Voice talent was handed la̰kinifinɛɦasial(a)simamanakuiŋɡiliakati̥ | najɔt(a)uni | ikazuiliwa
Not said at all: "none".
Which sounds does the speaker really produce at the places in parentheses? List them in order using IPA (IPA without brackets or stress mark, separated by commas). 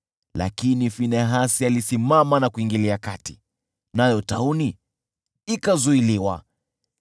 i, a